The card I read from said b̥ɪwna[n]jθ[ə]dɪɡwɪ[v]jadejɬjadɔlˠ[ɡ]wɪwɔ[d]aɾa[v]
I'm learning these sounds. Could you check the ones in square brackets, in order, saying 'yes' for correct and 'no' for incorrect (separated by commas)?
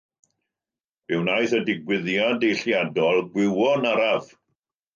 no, yes, no, yes, no, yes